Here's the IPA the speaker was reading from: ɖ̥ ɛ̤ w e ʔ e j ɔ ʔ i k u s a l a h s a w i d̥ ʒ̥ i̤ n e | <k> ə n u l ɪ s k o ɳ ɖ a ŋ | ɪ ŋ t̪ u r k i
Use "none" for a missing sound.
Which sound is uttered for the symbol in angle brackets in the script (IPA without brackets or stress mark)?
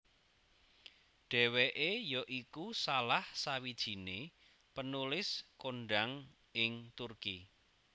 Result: p